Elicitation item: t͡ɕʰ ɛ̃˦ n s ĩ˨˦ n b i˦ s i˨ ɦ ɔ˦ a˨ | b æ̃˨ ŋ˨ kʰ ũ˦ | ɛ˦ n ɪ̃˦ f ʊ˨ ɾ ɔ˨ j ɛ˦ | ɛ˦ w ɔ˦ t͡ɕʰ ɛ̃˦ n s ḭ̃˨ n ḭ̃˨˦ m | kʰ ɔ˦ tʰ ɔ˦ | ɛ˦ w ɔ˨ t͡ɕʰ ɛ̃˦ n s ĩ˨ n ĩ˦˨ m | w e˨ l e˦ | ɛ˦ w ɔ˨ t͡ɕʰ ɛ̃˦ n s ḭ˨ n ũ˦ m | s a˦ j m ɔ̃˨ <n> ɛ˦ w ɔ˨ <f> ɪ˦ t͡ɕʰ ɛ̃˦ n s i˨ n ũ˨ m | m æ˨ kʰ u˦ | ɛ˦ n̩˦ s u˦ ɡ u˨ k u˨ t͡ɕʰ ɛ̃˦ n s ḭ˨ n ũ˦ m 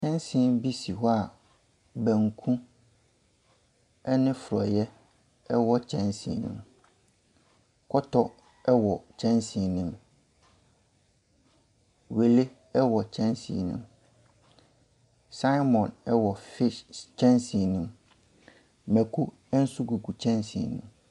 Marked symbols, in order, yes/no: yes, yes

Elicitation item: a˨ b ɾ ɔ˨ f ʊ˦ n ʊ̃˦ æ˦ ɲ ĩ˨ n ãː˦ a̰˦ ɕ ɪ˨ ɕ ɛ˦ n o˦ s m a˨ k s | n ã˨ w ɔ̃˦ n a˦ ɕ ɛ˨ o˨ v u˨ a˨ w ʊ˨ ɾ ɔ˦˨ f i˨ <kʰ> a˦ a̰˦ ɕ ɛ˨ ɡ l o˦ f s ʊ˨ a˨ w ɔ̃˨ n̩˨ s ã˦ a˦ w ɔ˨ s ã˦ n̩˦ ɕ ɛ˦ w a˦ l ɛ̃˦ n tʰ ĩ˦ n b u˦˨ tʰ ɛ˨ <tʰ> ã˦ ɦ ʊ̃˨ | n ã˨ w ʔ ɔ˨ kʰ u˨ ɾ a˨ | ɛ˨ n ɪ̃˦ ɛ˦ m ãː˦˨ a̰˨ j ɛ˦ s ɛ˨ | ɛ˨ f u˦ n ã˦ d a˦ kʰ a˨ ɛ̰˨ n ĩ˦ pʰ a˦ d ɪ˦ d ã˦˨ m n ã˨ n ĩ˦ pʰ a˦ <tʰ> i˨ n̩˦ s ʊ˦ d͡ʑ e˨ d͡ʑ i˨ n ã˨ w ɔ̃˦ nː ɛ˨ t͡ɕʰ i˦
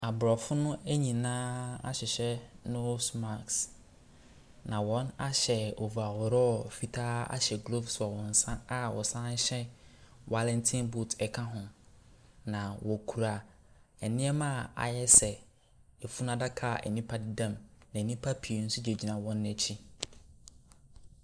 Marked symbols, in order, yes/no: no, no, no

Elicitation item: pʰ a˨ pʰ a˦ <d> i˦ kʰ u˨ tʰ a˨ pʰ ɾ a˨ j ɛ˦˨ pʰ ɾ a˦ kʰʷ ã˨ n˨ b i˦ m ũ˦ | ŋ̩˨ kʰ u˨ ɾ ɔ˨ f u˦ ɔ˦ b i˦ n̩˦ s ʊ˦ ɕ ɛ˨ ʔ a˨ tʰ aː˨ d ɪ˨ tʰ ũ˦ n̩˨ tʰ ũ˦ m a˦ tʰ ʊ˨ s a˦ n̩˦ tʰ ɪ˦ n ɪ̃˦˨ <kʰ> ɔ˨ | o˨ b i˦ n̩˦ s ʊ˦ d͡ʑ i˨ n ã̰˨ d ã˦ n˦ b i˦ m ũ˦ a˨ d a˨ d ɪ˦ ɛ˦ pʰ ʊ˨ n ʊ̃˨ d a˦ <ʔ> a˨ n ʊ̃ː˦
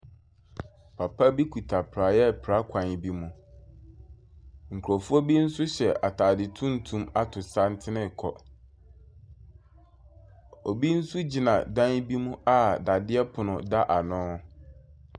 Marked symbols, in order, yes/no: no, yes, yes

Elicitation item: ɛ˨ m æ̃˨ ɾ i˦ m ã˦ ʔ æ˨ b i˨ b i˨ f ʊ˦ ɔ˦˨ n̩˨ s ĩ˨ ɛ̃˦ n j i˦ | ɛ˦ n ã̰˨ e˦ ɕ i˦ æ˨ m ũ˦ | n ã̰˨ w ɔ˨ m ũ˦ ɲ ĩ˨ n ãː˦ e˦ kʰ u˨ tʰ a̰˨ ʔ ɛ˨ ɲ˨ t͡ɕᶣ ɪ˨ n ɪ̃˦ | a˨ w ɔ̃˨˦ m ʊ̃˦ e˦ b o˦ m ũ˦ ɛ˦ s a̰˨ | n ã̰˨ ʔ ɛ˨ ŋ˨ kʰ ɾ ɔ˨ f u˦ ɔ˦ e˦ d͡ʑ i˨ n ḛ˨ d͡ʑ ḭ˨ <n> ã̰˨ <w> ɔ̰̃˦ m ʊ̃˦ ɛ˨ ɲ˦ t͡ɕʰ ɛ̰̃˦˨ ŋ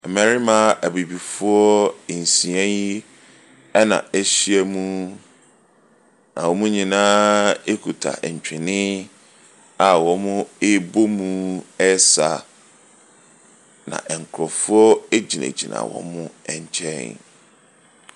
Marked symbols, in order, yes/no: yes, yes

